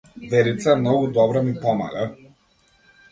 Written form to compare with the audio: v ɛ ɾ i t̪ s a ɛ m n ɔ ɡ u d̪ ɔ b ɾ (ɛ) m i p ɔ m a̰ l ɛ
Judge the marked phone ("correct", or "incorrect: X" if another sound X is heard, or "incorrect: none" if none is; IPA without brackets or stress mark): incorrect: a